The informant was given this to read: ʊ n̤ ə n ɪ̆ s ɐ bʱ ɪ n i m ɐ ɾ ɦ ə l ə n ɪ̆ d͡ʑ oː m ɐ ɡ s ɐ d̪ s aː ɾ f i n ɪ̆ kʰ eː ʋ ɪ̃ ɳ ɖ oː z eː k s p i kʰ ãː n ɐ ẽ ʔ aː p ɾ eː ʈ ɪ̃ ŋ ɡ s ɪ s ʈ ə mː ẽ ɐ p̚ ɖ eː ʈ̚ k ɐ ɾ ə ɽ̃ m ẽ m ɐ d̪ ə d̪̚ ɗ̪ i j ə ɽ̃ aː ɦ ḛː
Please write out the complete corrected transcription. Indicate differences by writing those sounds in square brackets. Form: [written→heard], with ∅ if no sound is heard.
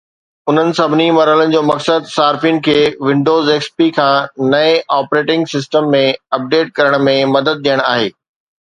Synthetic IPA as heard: ʊ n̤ ə n ɪ̆ s ɐ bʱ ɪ n i m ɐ ɾ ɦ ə l ə n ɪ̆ d͡ʑ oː m ɐ [ɡ→k] s [ɐ→ə] d̪ s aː ɾ f i n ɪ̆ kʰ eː ʋ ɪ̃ ɳ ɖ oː z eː k s p i kʰ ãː n ɐ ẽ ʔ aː p ɾ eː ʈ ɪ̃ ŋ ɡ s ɪ s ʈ ə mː ẽ ɐ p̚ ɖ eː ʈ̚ k ɐ ɾ ə ɽ̃ m ẽ m ɐ d̪ ə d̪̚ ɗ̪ i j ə ɽ̃ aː ɦ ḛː